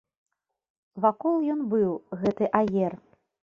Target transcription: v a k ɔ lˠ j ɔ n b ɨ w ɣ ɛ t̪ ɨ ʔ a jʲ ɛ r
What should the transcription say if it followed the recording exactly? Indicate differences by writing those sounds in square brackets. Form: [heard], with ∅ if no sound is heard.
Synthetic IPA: v a k ɔ lˠ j ɔ n b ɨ w ɣ ɛ t̪ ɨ ʔ a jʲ ɛ r